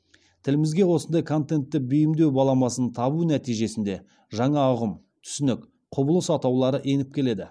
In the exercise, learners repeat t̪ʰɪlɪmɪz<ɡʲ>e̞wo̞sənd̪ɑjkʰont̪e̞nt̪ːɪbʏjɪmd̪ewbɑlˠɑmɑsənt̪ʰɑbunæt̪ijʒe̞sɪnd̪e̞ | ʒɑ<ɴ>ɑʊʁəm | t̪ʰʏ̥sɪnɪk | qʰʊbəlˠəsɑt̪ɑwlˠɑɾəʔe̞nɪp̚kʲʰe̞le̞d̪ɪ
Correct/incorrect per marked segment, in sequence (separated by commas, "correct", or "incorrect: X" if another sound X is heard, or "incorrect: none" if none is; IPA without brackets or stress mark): correct, correct